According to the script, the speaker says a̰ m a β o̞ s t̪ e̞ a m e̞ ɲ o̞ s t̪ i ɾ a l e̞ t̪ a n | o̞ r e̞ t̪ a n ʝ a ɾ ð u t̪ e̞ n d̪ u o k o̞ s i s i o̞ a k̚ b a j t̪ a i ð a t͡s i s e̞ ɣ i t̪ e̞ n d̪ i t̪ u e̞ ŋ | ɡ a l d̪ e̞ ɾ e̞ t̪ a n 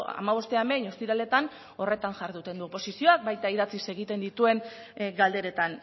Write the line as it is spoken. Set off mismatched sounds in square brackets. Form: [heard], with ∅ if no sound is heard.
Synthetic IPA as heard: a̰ m a β o̞ s t̪ e̞ a m e̞ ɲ o̞ s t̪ i ɾ a l e̞ t̪ a n | o̞ r e̞ t̪ a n ʝ a ɾ ð u t̪ e̞ n d̪ u o [p] o̞ s i s i o̞ a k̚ b a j t̪ a i ð a t͡s i s e̞ ɣ i t̪ e̞ n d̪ i t̪ u e̞ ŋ | ɡ a l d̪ e̞ ɾ e̞ t̪ a n